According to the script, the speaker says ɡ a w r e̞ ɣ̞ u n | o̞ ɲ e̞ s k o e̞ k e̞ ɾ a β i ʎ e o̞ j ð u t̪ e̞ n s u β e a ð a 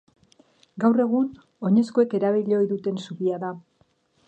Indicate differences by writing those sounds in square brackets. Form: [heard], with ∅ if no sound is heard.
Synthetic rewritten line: ɡ a w r e̞ ɣ̞ u n | o̞ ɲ e̞ s k o e̞ k e̞ ɾ a β i ʎ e o̞ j ð u t̪ e̞ n s u β [i] a ð a